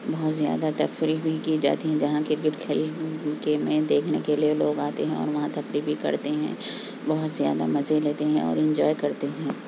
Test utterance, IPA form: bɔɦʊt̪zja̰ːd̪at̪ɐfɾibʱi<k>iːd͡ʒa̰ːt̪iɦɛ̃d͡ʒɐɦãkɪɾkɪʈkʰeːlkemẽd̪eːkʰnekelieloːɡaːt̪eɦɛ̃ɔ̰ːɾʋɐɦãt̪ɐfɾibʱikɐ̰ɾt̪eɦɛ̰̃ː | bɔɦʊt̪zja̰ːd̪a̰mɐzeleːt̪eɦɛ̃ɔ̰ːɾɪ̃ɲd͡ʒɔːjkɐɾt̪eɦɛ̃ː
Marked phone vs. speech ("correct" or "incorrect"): correct